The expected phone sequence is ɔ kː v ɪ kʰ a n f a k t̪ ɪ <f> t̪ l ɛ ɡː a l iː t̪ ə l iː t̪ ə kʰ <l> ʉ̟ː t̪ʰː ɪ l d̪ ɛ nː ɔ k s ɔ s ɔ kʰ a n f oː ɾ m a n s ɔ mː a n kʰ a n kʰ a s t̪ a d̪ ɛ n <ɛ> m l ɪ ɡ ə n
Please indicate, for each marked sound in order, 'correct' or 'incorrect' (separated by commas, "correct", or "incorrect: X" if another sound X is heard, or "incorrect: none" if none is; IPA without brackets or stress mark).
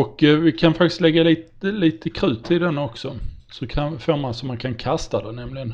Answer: incorrect: s, incorrect: ɾ, correct